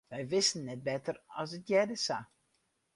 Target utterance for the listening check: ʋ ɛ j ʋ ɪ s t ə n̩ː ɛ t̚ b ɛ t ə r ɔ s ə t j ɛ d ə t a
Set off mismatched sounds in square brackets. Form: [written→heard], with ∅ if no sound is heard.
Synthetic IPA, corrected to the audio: ʋ ɛ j ʋ ɪ s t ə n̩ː ɛ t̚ b ɛ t ə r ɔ s ə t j ɛ d ə [t→s] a

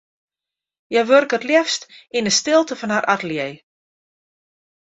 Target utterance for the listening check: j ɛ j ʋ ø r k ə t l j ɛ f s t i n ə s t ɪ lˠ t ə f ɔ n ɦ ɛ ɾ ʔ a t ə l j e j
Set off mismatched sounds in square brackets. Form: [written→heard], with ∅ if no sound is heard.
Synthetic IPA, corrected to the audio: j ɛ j ʋ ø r k ə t l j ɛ f s t i n ə s t ɪ lˠ t ə f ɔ n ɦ [ɛ→a] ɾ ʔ a t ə l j e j

